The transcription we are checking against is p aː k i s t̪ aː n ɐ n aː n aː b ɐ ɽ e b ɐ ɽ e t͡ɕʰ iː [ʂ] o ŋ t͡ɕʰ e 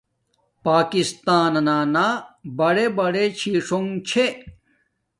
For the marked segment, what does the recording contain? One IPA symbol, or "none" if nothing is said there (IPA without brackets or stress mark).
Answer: ʂ